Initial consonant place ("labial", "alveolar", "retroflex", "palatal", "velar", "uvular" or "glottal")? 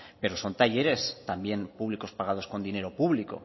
labial